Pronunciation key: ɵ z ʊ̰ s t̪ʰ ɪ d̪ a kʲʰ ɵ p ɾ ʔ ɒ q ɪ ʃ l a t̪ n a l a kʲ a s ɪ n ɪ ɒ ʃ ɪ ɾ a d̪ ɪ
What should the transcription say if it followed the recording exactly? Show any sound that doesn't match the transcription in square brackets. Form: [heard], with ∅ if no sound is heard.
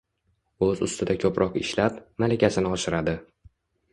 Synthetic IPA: ɵ z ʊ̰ s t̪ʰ ɪ d̪ a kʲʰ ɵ p ɾ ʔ ɒ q ɪ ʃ l a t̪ [m] a l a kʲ a s ɪ n ɪ ɒ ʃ ɪ ɾ a d̪ ɪ